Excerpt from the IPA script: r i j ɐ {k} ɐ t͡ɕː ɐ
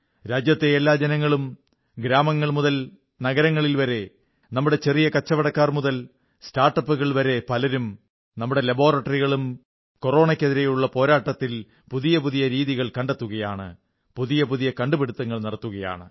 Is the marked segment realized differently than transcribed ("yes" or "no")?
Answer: no